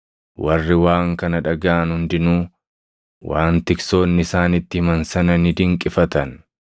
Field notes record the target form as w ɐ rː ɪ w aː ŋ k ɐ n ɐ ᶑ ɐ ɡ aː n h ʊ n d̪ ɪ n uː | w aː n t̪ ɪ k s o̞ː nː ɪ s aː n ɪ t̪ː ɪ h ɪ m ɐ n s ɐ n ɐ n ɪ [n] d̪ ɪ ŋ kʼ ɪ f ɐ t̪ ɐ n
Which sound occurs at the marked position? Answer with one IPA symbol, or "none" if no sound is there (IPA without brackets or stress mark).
none